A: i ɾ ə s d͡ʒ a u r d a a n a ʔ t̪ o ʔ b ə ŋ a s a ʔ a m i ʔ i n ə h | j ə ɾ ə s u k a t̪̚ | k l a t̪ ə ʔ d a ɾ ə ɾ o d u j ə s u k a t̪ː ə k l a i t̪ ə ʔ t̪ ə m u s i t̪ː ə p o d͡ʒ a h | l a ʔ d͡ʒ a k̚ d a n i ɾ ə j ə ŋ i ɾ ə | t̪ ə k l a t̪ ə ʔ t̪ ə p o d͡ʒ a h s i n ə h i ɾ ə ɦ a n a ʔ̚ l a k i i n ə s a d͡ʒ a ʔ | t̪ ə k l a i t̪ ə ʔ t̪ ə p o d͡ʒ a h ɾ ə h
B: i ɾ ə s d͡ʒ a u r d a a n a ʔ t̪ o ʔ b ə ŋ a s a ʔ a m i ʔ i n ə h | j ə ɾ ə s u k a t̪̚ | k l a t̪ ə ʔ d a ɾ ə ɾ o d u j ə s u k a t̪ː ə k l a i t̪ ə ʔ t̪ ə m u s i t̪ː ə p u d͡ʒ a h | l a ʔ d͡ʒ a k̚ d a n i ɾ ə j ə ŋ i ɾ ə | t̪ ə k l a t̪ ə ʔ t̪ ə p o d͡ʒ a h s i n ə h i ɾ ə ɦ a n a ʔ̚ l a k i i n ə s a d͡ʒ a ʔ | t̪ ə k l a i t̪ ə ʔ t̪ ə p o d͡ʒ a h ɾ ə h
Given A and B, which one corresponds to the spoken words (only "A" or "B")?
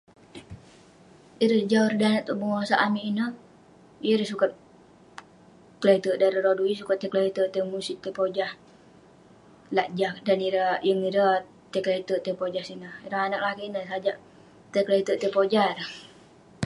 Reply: A